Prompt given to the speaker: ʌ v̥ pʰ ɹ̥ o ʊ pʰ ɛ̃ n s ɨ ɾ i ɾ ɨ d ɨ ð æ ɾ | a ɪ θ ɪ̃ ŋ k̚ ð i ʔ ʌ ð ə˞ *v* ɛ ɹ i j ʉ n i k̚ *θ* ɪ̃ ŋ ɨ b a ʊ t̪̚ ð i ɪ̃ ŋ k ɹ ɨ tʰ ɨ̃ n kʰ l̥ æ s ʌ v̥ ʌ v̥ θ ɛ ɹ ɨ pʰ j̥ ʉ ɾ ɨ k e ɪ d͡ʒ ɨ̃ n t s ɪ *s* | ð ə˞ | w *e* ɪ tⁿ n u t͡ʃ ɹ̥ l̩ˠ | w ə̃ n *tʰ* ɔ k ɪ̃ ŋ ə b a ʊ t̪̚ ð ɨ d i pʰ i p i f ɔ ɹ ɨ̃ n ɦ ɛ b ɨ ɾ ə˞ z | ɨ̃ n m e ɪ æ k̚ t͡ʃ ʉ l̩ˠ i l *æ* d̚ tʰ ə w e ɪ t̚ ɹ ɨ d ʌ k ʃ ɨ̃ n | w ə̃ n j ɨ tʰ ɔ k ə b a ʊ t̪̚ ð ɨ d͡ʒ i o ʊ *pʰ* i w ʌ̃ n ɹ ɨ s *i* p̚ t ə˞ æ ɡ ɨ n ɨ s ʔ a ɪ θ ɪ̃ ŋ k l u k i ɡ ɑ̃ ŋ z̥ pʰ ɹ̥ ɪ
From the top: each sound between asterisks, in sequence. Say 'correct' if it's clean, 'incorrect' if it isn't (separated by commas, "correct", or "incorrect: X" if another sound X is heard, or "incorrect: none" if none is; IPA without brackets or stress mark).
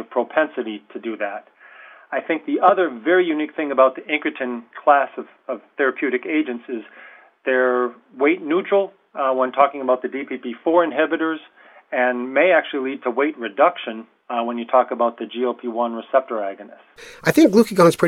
correct, correct, incorrect: z, correct, correct, incorrect: i, correct, incorrect: ɛ